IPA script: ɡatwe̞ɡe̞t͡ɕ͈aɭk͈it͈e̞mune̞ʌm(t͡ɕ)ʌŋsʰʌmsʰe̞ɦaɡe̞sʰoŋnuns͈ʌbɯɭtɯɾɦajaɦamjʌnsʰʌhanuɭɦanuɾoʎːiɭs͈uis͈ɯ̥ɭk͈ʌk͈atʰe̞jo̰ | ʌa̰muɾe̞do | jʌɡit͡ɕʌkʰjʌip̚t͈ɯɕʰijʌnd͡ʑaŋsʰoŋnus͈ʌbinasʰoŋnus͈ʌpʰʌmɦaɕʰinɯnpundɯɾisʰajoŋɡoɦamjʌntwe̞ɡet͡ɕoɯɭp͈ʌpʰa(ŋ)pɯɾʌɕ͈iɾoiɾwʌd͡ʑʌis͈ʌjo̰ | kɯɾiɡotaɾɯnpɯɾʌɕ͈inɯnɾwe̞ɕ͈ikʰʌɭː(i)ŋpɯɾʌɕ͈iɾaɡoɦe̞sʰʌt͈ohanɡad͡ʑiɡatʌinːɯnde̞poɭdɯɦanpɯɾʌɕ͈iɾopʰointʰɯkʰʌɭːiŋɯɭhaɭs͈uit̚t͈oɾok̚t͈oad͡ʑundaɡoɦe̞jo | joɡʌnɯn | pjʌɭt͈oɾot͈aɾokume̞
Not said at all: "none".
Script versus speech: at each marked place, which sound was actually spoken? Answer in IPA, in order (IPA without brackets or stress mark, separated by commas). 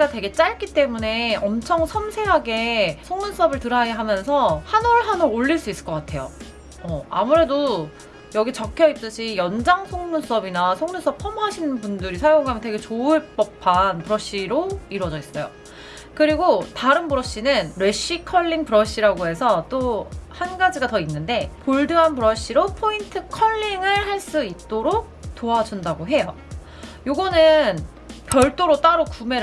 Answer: t͡ɕʰ, n, i